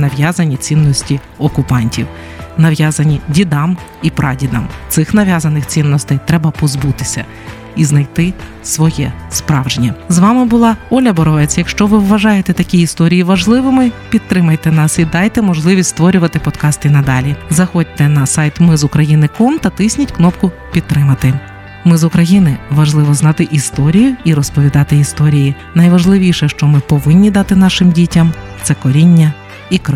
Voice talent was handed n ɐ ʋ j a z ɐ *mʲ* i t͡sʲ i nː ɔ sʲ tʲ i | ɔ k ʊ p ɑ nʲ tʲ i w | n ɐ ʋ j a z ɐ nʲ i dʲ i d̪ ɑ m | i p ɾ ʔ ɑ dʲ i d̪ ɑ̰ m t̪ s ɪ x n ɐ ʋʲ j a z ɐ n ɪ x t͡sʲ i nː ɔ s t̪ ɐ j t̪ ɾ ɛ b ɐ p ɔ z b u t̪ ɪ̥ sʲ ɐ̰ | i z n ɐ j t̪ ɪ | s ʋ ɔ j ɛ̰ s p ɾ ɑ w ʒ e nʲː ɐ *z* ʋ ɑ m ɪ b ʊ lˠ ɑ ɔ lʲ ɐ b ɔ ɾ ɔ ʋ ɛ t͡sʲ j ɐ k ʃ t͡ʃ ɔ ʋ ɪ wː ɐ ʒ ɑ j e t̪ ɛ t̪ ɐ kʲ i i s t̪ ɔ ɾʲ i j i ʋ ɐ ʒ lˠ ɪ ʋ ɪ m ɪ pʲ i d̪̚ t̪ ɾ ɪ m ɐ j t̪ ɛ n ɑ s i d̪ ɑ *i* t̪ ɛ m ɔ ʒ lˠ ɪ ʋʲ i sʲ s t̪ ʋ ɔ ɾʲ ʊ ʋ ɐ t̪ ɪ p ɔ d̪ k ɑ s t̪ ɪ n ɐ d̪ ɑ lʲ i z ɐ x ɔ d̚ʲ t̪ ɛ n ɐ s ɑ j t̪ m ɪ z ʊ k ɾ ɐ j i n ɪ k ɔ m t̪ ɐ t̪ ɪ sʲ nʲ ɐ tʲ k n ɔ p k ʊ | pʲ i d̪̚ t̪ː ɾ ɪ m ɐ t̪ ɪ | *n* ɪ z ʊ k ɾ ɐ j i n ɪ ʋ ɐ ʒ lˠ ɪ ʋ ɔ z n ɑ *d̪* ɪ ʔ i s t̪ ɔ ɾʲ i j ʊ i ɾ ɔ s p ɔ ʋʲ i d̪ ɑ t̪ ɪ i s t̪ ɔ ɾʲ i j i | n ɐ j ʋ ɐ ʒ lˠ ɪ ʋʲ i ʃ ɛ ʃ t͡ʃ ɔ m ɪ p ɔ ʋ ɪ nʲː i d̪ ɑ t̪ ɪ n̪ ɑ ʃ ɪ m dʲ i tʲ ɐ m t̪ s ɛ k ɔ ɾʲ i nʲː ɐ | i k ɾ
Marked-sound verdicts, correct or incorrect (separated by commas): incorrect, correct, incorrect, incorrect, incorrect